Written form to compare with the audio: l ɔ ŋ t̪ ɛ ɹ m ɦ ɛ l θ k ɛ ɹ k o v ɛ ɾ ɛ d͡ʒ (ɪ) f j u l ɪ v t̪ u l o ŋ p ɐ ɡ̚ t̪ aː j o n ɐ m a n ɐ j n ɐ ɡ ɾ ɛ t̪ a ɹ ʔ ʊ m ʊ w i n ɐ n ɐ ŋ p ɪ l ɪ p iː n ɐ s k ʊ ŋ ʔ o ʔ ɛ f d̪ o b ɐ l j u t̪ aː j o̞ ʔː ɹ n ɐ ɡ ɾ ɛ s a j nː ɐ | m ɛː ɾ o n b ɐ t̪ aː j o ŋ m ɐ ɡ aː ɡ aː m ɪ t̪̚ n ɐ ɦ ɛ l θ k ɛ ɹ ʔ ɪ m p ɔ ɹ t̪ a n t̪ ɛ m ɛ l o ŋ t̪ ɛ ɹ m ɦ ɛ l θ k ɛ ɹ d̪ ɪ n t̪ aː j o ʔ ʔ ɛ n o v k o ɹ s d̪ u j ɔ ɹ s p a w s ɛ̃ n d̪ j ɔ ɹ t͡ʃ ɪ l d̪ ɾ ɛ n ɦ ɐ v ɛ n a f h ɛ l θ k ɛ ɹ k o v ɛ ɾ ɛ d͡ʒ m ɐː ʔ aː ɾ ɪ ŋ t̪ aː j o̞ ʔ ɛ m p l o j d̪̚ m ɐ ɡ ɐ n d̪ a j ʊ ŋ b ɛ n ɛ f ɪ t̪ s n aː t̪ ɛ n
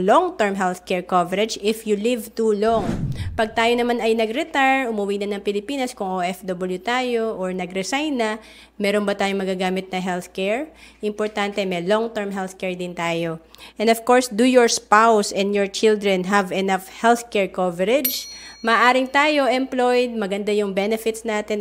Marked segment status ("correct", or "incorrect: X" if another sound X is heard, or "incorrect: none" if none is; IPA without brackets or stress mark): correct